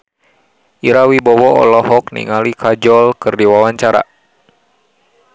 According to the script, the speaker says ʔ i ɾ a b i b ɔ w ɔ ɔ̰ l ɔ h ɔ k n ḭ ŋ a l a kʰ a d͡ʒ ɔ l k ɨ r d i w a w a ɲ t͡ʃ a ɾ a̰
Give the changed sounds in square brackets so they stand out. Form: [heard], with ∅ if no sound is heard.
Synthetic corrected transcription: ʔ i ɾ a [w] i b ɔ w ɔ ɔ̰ l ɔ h ɔ k n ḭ ŋ a l [i] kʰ a d͡ʒ ɔ l k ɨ r d i w a w a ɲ t͡ʃ a ɾ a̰